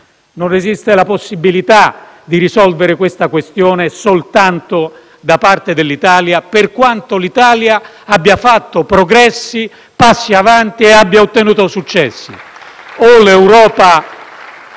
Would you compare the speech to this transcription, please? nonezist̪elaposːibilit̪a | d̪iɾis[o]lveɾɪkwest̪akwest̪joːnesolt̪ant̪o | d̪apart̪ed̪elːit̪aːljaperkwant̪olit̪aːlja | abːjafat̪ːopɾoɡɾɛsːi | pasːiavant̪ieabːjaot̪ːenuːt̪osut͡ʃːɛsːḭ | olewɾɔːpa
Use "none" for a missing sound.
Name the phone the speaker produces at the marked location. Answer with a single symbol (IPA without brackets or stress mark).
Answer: ɔ